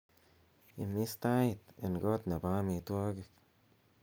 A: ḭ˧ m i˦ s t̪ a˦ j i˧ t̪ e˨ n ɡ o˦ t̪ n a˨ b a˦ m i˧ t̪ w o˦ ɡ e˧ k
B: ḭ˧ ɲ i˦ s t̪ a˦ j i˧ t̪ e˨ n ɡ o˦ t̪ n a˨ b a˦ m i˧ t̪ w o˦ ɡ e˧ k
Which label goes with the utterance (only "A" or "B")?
A